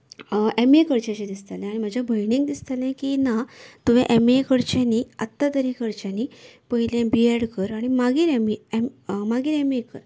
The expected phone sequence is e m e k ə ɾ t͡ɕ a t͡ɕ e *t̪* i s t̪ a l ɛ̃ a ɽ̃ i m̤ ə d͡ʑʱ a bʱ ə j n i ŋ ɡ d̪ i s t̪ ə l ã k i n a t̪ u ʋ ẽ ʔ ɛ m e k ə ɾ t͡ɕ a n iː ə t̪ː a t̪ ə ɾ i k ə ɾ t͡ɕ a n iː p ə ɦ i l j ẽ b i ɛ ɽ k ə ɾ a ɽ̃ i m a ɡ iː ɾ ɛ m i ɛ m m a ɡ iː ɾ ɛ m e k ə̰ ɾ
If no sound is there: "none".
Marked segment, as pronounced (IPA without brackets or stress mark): d̪